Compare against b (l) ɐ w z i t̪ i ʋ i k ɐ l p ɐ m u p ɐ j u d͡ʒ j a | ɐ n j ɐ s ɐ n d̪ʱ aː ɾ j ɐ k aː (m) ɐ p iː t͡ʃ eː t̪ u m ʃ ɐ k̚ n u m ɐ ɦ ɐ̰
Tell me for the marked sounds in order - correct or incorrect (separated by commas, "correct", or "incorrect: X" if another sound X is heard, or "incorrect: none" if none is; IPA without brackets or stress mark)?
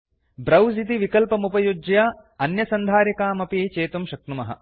incorrect: ɾ, correct